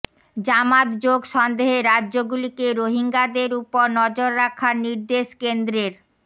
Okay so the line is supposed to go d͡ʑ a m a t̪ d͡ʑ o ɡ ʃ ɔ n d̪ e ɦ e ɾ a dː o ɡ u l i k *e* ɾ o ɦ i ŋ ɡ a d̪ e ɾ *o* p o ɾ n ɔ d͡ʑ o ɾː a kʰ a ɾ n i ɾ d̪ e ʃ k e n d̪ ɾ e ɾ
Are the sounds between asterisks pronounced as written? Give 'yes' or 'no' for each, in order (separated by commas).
yes, no